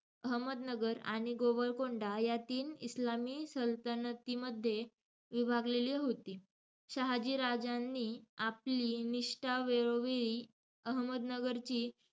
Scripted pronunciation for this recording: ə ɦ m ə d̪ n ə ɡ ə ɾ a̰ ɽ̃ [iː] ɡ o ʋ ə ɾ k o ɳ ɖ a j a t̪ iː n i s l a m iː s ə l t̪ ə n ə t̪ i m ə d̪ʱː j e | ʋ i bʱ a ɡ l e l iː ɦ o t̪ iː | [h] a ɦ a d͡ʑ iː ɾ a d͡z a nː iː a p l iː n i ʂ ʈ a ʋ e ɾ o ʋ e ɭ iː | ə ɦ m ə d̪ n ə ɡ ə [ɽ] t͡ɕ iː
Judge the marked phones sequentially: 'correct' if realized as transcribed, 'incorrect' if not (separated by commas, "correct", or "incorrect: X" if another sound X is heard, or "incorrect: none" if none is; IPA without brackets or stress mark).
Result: incorrect: i, incorrect: ɕ, incorrect: ɾ